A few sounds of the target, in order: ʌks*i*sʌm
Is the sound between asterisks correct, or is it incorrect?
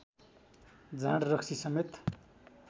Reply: correct